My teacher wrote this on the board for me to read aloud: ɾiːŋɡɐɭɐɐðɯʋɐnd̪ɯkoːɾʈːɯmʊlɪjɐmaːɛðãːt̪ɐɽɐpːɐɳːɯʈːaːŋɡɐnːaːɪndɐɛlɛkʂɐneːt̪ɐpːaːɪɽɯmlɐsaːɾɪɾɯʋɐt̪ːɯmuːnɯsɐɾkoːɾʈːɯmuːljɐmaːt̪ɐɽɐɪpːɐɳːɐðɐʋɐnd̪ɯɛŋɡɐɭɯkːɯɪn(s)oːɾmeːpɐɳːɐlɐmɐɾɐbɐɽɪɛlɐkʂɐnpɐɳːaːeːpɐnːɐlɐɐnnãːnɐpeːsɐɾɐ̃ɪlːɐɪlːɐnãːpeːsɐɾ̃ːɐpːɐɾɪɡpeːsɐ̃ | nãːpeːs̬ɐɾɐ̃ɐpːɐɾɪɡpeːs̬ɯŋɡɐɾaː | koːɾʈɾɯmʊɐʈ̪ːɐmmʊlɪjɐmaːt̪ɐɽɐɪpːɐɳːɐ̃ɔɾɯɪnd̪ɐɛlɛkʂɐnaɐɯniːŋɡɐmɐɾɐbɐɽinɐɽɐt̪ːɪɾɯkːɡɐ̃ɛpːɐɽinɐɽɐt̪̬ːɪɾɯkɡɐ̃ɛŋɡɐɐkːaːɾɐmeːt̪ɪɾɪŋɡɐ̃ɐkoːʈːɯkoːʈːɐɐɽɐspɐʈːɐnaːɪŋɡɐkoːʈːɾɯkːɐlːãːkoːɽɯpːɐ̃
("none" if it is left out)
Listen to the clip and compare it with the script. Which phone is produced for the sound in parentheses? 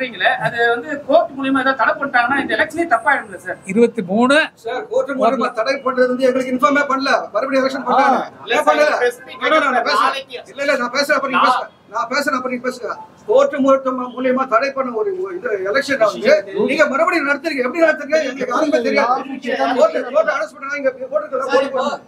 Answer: f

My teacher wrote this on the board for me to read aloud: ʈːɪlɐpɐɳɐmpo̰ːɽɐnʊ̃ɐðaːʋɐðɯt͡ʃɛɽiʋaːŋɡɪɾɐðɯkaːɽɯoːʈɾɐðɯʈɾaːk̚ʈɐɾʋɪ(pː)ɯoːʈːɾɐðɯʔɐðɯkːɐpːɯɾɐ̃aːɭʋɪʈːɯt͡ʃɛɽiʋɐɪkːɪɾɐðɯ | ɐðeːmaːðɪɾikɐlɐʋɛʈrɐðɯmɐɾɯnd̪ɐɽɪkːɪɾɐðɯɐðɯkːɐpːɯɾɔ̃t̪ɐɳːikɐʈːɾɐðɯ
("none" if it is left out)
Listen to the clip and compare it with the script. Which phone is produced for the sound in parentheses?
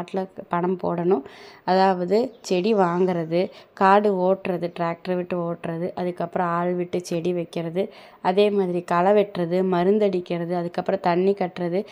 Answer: ʈː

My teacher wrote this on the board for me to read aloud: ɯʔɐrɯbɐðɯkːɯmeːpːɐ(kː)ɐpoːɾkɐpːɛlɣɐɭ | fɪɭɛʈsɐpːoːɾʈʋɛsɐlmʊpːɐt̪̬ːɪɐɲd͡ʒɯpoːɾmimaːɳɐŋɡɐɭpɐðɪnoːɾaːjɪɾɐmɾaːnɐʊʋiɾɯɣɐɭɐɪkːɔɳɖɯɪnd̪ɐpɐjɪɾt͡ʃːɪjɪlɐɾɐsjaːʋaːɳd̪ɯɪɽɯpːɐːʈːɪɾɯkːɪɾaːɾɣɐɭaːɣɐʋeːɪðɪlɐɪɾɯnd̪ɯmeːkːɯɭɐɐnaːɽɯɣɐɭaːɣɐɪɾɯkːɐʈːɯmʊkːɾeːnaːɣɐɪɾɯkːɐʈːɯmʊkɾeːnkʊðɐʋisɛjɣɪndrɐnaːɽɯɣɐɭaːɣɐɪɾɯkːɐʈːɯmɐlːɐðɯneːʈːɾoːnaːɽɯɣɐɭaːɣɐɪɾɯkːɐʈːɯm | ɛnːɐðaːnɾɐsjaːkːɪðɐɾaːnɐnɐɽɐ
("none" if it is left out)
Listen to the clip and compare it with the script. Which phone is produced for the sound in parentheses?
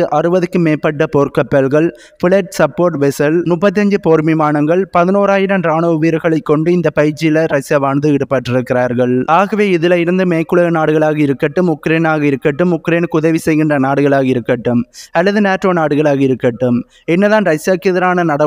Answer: ʈː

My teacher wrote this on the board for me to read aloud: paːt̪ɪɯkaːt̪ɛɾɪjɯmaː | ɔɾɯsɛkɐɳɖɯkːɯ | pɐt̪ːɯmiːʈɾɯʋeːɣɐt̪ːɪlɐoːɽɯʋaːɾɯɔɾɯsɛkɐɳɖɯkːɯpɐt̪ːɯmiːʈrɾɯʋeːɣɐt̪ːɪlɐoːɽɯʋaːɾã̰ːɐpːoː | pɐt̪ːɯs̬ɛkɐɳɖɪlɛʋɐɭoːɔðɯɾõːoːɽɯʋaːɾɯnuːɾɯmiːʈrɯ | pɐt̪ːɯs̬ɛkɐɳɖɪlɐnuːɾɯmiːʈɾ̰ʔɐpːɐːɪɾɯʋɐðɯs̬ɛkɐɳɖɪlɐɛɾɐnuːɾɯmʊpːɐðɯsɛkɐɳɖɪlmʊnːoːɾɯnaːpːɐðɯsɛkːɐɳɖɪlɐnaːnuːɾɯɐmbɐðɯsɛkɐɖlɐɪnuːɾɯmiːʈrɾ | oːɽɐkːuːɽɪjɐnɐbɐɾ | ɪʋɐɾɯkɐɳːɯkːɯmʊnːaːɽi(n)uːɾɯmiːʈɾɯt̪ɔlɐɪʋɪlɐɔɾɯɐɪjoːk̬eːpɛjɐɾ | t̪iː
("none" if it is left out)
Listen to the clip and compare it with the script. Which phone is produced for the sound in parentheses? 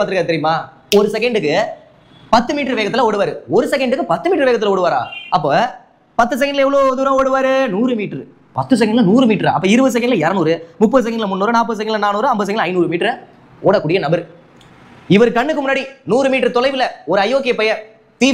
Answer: n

